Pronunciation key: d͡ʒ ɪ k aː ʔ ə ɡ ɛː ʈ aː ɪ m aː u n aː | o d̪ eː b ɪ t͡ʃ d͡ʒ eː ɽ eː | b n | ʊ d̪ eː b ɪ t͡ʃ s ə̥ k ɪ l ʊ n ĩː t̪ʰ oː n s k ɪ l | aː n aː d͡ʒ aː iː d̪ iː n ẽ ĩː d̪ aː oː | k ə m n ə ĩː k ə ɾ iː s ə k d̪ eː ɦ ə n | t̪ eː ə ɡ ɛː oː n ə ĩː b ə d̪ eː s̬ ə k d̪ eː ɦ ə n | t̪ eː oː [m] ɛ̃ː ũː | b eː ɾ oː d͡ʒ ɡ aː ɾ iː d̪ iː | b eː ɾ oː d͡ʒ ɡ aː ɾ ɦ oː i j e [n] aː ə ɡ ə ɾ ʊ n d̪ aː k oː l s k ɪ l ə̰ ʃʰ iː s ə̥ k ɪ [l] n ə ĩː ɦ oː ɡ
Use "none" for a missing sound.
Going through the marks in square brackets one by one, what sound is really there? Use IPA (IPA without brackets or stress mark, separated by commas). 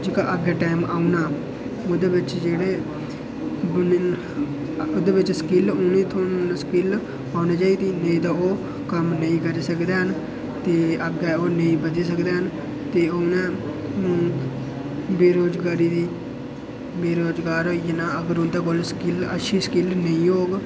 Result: n, n, l